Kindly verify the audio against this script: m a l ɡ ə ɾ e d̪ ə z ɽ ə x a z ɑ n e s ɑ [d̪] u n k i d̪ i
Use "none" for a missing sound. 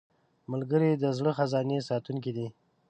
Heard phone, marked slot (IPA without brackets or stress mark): t̪